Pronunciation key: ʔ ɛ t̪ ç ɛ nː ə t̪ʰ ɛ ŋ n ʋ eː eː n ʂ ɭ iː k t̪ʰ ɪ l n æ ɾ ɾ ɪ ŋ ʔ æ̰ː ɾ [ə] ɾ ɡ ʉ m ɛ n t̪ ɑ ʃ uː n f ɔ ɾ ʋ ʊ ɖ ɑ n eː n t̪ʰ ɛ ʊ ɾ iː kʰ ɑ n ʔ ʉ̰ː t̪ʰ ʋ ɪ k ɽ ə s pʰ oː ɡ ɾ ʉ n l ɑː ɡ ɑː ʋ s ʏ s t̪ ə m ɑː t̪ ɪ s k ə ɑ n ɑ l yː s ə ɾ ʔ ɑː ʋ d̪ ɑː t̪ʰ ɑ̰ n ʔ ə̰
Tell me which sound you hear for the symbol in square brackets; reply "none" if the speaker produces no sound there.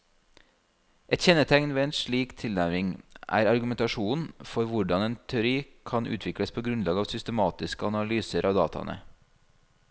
ɑ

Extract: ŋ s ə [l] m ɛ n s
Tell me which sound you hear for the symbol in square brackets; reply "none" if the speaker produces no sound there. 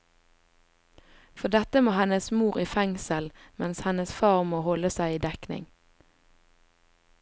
l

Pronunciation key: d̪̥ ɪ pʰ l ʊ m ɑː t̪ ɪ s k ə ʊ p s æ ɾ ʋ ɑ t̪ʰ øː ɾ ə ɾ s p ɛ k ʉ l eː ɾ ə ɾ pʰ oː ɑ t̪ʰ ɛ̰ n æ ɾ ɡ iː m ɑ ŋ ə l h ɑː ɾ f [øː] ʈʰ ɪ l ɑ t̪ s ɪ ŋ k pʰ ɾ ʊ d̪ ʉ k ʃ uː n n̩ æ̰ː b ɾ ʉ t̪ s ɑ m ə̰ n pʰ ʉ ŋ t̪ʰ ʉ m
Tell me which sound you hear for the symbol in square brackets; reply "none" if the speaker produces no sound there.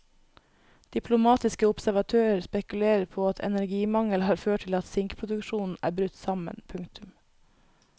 øː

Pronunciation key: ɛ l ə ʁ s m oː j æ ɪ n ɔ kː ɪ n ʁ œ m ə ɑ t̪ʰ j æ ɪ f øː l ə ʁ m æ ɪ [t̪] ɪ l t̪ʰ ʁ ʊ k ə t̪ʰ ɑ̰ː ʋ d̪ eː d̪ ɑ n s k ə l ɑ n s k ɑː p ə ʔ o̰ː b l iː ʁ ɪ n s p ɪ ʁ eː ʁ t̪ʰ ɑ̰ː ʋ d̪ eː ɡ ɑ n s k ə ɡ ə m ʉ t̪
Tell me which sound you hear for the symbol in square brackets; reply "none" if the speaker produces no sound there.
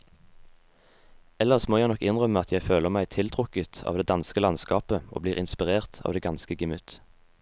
t̪ʰ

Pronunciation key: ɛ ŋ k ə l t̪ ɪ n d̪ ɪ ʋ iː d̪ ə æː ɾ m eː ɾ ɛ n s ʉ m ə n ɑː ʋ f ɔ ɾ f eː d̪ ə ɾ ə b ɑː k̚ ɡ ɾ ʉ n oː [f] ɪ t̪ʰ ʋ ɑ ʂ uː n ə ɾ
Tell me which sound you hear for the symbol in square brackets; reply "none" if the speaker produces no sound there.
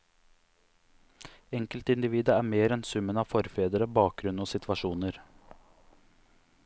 s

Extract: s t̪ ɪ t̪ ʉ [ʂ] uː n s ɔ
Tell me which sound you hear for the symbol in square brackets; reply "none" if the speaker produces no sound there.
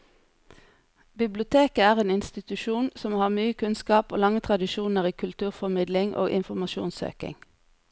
ʃ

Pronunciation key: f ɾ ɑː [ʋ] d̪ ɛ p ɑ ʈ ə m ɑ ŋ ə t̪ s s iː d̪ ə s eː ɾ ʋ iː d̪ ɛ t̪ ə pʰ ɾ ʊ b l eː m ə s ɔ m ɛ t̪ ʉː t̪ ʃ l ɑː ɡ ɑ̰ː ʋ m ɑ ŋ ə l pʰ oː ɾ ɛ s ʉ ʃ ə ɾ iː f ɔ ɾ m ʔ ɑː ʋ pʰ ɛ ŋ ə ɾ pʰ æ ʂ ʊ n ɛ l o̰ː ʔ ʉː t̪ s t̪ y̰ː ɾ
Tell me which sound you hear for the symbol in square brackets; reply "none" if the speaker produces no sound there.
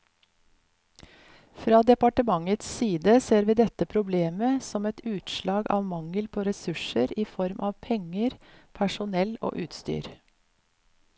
none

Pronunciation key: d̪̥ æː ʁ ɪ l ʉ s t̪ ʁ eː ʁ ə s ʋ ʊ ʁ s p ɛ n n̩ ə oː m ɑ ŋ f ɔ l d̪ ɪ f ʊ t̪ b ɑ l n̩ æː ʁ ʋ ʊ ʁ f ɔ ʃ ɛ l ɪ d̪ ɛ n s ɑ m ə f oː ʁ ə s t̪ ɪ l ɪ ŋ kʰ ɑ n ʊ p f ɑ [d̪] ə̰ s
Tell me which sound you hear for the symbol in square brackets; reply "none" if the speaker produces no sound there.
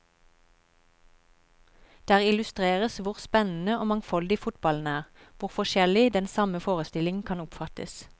t̪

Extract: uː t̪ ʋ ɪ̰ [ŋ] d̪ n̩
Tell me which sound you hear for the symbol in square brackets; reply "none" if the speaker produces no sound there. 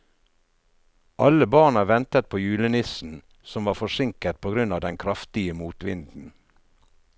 n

